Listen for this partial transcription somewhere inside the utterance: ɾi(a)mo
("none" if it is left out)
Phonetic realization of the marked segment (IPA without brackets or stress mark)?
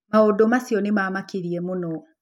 ɛ